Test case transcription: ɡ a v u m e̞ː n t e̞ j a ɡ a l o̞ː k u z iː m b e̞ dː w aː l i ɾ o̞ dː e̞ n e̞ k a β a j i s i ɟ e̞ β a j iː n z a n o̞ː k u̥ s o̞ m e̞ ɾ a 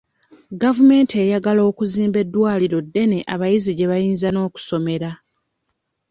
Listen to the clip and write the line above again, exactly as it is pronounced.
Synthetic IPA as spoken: ɡ a v u m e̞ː n t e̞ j a ɡ a l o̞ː k u z iː m b e̞ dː w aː l i ɾ o̞ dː e̞ n e̞ ʔ a β a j i z i ɟ e̞ β a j iː n z a n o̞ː k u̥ s o̞ m e̞ ɾ a